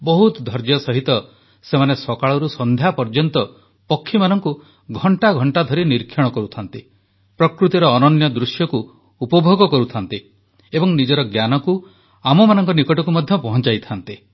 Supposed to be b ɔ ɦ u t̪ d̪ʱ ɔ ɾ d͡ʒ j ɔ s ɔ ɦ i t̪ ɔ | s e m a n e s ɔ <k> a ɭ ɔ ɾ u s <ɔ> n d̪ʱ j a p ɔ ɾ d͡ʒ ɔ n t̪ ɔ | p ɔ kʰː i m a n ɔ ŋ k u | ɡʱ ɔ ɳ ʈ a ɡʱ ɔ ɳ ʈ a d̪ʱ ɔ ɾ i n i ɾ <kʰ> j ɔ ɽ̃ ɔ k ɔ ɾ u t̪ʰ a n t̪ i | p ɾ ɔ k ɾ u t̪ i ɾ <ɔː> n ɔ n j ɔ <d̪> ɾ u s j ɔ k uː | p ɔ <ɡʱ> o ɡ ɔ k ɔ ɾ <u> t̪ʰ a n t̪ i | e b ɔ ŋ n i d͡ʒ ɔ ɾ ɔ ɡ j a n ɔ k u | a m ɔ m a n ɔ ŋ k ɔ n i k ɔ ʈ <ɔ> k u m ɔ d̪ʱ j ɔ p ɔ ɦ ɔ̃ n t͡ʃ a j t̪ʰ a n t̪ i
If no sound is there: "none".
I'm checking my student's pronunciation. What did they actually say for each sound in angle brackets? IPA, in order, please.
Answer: k, ɔ, kʰ, ɔː, d̪, bʱ, u, ɔ

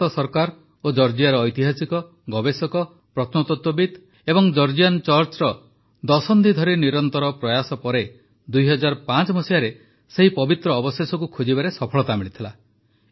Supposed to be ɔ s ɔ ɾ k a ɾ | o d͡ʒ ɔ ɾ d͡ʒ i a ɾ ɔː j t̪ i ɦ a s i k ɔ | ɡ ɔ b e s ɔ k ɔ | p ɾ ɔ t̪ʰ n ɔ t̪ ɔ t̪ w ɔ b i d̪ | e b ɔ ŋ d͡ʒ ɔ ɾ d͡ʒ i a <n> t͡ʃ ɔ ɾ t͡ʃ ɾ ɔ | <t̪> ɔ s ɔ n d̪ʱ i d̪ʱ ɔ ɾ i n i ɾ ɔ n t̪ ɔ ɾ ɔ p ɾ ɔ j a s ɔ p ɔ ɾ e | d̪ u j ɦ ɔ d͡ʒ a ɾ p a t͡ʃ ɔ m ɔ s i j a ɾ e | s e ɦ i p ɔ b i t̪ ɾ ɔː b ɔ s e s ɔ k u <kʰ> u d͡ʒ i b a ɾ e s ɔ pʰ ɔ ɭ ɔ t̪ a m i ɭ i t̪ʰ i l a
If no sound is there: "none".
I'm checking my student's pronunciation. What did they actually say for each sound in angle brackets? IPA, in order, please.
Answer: n, d̪, kʰ

